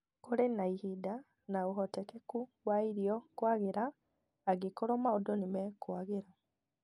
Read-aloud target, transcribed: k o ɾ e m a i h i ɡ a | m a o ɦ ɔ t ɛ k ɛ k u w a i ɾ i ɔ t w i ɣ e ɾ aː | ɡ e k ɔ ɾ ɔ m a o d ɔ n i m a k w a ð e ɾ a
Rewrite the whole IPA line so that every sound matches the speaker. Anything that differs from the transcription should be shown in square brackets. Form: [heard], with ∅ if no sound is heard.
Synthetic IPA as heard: k o ɾ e [n] a i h i [d] a | [n] a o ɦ ɔ t ɛ k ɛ k u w a i ɾ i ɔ [k] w [a] ɣ e ɾ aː | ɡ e k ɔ ɾ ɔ m a o d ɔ n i m [ɛ] k w a [ɣ] e ɾ a